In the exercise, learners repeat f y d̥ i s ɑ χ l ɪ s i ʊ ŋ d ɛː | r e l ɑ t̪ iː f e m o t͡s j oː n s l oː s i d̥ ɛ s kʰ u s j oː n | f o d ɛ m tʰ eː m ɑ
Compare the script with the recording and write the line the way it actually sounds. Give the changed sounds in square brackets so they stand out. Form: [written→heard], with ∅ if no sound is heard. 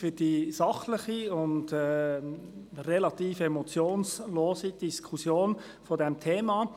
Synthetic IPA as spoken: f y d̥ i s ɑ χ l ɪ [s→χ] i ʊ [ŋ→n] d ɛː | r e l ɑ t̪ iː f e m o t͡s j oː n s l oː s i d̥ [ɛ→i] s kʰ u s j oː n | f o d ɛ m tʰ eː m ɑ

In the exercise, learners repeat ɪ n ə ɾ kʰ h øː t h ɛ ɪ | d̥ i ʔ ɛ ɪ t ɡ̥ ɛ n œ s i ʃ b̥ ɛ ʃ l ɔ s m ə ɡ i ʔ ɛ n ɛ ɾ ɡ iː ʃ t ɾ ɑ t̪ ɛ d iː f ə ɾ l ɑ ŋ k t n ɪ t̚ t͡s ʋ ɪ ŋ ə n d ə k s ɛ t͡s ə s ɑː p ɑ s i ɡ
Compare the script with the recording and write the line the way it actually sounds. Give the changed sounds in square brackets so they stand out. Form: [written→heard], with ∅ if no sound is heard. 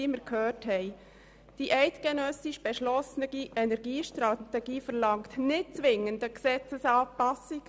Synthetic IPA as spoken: ɪ [n→m] ə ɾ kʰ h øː t h ɛ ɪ | d̥ i ʔ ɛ ɪ t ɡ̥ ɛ n œ s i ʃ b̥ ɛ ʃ l ɔ s [m→n] ə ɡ i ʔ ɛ n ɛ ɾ ɡ iː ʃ t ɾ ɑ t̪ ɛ [d→ɡ] iː f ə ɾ l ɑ ŋ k t n ɪ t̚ t͡s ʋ ɪ ŋ ə n d ə k s ɛ t͡s ə s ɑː p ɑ s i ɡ

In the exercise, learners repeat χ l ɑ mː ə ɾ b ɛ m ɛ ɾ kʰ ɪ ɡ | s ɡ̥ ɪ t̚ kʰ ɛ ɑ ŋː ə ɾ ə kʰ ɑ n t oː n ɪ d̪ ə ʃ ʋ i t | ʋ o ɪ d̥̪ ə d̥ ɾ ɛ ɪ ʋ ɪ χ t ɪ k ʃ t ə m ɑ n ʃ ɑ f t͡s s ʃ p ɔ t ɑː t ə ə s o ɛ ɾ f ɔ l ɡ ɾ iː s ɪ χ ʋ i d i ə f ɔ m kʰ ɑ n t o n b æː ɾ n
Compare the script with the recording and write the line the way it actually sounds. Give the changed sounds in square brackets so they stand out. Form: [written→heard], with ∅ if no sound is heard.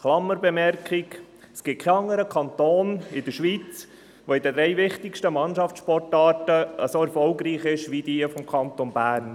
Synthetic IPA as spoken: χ l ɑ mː ə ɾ b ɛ m ɛ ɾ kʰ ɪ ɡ | s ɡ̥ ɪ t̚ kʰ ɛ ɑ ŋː ə ɾ ə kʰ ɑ n t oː n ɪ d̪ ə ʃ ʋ i [t→t͡s] | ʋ o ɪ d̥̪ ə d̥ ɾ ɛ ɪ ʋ ɪ χ t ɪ k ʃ t ə m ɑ n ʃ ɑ f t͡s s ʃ p ɔ t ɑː t ə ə s o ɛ ɾ f ɔ l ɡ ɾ iː [s→χ] ɪ [χ→ʃ] ʋ i d i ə f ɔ m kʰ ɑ n t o n b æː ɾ n

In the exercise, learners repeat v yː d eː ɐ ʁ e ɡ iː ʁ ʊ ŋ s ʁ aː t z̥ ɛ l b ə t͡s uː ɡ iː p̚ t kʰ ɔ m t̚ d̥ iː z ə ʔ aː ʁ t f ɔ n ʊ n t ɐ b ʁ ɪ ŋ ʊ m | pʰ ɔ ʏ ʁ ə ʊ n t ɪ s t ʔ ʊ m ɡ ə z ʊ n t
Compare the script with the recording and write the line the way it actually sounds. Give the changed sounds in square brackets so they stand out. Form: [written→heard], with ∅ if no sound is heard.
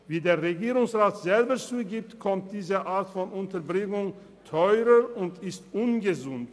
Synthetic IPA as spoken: v [yː→iː] d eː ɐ ʁ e ɡ iː ʁ ʊ ŋ s ʁ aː t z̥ ɛ l b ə t͡s uː ɡ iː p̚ t kʰ ɔ m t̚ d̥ iː z ə ʔ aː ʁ t f ɔ n ʊ n t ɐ b ʁ ɪ ŋ ʊ [m→ŋ] | [pʰ→tʰ] ɔ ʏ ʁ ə ʊ n t ɪ s t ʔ ʊ [m→n] ɡ ə z ʊ n t

